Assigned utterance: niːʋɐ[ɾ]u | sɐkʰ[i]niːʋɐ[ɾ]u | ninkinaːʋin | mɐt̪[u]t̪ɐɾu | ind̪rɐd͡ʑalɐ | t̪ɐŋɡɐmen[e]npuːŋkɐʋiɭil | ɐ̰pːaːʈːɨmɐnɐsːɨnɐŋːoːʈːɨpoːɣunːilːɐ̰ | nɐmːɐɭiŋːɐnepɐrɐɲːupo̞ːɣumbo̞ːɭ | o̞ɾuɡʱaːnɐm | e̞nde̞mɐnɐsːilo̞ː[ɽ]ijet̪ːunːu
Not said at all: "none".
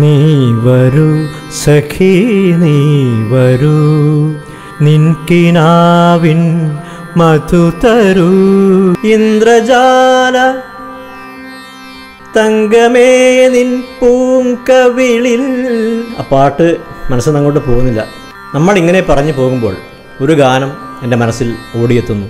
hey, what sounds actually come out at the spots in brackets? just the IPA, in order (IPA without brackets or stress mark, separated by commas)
ɾ, i, ɾ, u, i, ɽ